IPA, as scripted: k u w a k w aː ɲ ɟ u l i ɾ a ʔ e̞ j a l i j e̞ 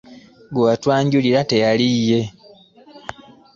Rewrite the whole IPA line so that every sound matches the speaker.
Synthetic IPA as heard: ɡ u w a t w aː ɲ ɟ u l i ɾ a t e̞ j a l i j e̞